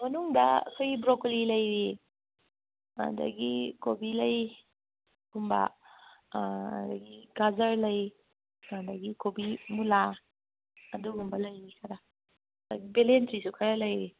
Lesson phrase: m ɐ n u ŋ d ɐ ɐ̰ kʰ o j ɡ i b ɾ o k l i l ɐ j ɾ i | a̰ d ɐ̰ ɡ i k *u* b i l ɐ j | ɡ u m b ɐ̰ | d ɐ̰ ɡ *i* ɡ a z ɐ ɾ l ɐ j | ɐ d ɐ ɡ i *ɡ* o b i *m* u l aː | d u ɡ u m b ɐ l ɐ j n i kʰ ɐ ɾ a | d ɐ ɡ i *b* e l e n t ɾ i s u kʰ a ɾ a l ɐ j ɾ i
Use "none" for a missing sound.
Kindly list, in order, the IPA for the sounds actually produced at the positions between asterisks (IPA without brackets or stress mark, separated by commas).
o, i, k, m, b